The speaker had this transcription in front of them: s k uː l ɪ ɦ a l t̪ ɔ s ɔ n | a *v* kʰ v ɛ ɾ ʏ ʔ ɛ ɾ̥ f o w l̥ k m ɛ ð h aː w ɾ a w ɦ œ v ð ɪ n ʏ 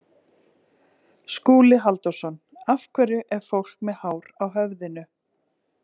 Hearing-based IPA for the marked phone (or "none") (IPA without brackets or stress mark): f